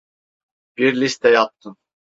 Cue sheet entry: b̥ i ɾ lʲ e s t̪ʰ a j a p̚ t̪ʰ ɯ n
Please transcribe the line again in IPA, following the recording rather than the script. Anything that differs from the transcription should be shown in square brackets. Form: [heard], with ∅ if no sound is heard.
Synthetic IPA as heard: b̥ i ɾ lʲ [i] s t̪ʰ [ɛ] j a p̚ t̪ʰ ɯ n